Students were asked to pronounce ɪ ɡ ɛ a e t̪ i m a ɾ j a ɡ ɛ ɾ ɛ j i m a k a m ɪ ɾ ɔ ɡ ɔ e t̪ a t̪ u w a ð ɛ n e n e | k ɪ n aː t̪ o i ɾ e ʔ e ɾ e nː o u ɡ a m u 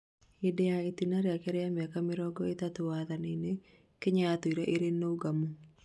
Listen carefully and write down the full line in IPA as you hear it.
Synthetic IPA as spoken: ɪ d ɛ a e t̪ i n a ɾ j a k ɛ ɾ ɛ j a m a k a m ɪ ɾ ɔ ɡ ɔ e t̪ a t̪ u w a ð a n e n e | k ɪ ɲ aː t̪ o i ɾ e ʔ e ɾ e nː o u ɡ a m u

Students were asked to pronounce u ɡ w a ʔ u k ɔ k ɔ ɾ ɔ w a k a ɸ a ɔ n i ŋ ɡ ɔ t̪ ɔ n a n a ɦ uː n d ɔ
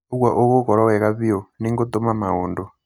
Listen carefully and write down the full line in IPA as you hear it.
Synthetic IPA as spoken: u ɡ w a ʔ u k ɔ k ɔ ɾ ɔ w ɛ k a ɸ i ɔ n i ŋ ɡ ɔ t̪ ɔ m a m a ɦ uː n d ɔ

